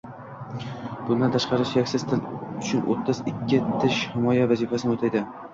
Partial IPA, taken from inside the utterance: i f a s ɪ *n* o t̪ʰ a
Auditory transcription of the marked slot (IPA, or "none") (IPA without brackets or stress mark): n